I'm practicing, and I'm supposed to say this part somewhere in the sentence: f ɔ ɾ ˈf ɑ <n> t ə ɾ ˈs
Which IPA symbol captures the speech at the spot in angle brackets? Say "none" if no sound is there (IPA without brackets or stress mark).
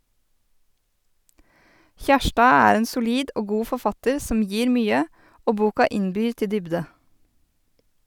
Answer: none